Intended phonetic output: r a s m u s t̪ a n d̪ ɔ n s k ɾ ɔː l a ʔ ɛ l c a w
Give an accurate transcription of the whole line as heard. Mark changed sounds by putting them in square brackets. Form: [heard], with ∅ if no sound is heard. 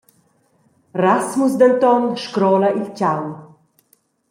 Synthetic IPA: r a s m u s [d̪] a n [t̪] ɔ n [ʃ] k ɾ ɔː l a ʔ [i] l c a w